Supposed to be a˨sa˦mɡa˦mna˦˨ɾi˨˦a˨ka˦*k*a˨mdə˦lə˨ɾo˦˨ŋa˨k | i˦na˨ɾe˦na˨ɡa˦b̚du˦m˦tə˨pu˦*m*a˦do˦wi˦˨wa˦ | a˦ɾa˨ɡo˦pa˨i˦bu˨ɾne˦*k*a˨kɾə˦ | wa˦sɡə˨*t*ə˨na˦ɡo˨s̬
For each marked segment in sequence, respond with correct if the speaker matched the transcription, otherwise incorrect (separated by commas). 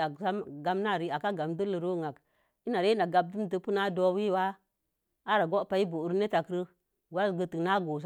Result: incorrect, incorrect, incorrect, correct